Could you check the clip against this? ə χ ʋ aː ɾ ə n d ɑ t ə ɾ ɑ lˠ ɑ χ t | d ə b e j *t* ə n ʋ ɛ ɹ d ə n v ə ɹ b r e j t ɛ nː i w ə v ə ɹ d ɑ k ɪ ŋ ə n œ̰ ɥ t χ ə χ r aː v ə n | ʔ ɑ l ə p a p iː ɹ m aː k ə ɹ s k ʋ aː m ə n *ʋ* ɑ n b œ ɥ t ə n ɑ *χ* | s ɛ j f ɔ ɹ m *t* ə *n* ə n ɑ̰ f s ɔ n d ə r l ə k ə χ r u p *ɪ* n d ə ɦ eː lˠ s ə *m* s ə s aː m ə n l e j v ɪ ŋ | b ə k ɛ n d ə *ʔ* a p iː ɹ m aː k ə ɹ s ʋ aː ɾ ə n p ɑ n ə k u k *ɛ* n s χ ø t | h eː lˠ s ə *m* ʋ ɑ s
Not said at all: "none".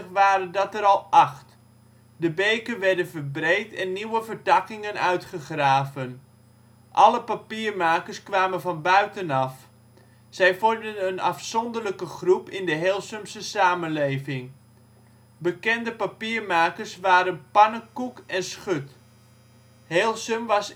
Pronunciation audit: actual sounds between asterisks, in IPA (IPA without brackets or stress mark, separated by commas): k, v, f, d, n, ɪ, m, p, ɛ, m